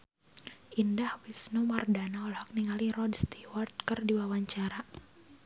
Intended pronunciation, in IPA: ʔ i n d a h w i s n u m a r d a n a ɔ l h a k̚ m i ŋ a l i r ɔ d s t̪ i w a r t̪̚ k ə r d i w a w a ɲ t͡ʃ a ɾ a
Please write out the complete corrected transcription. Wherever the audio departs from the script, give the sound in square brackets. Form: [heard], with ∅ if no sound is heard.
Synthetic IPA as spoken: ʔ i n d a h w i s n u m a r d a n a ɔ l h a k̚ [n] i ŋ a l i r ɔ d s t̪ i w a r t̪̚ k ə r d i w a w a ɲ t͡ʃ a ɾ a